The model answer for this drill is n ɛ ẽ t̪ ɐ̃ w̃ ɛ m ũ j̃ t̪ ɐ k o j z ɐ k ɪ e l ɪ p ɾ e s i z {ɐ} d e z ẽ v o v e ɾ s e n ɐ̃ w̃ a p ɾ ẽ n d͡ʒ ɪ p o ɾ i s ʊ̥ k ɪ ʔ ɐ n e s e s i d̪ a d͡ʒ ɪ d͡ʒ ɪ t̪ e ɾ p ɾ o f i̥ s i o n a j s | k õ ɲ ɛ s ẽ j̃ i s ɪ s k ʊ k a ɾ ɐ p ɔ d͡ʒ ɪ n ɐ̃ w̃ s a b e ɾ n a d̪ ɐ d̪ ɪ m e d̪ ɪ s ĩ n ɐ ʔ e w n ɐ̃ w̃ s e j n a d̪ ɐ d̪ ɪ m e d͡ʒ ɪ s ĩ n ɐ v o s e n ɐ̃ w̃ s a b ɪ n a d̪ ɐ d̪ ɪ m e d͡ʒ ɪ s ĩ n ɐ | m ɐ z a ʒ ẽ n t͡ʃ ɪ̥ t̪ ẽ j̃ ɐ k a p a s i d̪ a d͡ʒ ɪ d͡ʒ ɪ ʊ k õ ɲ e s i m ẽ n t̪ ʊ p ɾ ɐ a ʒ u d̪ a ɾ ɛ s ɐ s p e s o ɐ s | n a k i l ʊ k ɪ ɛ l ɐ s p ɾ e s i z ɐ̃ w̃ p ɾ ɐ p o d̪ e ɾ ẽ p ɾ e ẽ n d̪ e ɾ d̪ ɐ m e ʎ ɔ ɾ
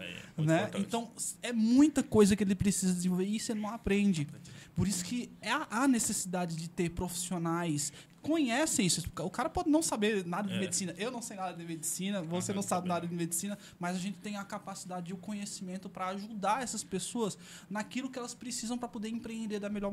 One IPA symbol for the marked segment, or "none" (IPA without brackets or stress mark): ɐ